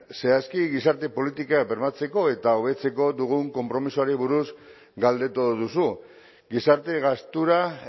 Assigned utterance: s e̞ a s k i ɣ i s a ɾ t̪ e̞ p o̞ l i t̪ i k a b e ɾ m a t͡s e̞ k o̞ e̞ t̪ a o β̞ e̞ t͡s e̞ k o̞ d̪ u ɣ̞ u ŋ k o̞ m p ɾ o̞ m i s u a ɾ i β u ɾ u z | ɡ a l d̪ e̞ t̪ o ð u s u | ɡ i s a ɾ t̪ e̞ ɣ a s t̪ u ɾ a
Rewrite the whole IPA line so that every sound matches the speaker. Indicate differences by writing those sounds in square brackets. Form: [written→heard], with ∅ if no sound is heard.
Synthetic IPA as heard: s e̞ a s k i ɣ i s a ɾ t̪ e̞ p o̞ l i t̪ i k a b e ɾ m a t͡s e̞ k o̞ e̞ t̪ a o β̞ e̞ t͡s e̞ k o̞ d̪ u ɣ̞ u ŋ k o̞ m p ɾ o̞ m i s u a ɾ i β u ɾ u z | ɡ a l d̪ e̞ t̪ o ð u s u | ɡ i s a ɾ t̪ e̞ ɣ a s t̪ u ɾ a